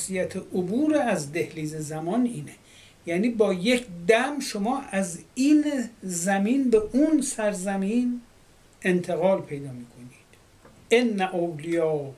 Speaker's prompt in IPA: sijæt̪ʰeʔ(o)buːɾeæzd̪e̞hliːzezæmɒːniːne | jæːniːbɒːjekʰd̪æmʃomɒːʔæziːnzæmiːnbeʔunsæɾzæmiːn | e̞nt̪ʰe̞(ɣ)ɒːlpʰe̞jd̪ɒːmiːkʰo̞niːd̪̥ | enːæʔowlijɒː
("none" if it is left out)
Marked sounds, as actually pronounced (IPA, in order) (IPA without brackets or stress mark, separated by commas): o, ɣ